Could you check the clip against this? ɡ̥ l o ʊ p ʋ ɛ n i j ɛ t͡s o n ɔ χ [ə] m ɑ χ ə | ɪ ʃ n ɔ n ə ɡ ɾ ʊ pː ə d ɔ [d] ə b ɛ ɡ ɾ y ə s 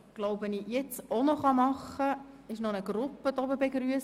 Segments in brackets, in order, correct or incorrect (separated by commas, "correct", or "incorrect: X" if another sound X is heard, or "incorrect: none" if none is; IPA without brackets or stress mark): incorrect: ɑ, incorrect: b